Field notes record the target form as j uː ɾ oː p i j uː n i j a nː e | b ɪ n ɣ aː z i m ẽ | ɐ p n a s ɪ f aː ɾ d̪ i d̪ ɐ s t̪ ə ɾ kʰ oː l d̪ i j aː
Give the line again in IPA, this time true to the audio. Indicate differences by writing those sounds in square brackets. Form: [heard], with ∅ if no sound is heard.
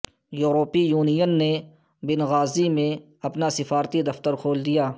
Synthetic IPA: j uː ɾ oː p i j uː n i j [ə] nː e | b ɪ n ɣ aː z i m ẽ | ɐ p n a s ɪ f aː ɾ [t̪] i d̪ ɐ [f] t̪ ə ɾ kʰ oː l d̪ i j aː